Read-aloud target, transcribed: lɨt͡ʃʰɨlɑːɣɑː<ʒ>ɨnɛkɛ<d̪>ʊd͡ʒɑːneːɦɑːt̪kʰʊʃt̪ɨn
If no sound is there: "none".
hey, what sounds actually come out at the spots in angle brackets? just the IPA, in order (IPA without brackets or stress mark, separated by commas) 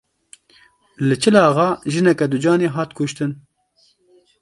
ʒ, d̪